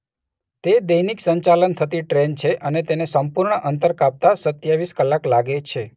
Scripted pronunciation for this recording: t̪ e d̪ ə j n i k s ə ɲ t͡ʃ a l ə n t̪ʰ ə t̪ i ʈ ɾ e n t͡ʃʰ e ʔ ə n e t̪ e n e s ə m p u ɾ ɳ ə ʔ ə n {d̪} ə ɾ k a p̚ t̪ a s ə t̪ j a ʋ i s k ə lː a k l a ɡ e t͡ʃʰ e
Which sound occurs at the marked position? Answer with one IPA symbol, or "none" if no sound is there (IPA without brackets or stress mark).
t̪